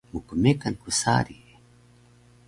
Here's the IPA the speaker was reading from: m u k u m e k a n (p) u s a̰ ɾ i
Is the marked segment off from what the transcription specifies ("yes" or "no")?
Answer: yes